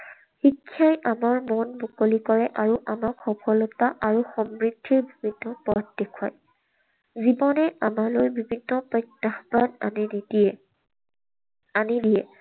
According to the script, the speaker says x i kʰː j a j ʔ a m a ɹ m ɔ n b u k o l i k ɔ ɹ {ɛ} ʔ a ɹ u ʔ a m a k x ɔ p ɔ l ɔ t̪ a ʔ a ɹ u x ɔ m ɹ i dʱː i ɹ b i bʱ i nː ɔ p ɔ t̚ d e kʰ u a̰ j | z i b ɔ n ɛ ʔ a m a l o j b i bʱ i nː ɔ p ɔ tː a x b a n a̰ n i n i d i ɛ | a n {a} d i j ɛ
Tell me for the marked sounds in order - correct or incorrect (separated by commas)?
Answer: correct, incorrect